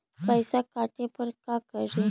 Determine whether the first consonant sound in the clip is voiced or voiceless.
voiceless